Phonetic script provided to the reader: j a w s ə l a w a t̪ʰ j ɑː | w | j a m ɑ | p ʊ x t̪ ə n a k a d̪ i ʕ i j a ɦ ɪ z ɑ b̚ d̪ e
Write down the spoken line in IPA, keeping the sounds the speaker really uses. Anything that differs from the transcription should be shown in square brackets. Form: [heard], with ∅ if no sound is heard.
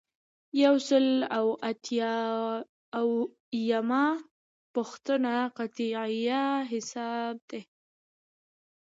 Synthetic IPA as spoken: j a w s ə l a w a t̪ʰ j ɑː | w | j a m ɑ | p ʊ x t̪ ə n a [q] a [t̪] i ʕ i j a ɦ ɪ [s] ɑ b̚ d̪ e